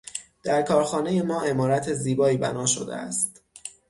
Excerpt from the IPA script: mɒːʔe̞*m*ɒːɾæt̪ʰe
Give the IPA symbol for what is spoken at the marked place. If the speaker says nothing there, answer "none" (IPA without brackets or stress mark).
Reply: m